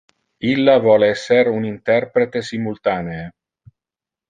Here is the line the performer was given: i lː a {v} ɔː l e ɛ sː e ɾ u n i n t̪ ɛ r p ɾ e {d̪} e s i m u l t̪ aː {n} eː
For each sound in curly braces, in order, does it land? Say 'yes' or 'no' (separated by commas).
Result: yes, no, yes